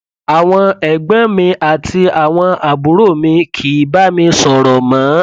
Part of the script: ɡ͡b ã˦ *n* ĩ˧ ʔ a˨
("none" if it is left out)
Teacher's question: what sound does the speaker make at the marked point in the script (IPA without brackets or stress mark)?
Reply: m